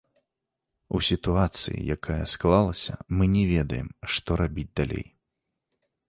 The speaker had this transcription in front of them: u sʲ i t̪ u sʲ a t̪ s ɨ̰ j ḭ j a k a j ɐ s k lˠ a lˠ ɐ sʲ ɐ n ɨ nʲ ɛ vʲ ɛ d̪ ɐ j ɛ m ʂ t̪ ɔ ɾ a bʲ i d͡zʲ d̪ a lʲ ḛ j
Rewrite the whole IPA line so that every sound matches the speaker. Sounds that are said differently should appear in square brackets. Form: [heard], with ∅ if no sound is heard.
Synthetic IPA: u sʲ i t̪ u [∅] a t̪ s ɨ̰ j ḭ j a k a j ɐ s k lˠ a lˠ ɐ sʲ ɐ [m] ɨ nʲ ɛ vʲ ɛ d̪ ɐ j ɛ m ʂ t̪ ɔ ɾ a bʲ i d͡zʲ d̪ a lʲ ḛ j